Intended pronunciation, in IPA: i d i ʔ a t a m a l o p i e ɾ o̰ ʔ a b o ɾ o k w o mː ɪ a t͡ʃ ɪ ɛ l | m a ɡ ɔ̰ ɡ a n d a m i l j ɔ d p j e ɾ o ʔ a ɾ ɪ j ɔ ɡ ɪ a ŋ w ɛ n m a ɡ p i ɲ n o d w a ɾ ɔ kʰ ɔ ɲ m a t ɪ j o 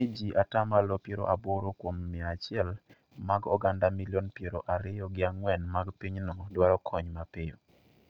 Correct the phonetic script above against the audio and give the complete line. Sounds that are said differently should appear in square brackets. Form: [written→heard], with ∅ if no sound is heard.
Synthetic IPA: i [d→d͡ʒ] i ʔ a t a m a l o p [i→j] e ɾ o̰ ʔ a b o ɾ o k w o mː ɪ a t͡ʃ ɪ ɛ l | m a ɡ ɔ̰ ɡ a n d a m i l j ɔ [d→n] p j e ɾ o ʔ a ɾ ɪ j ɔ ɡ ɪ a ŋ w ɛ n m a ɡ p i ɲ n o d w a ɾ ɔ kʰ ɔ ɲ m a [t→p] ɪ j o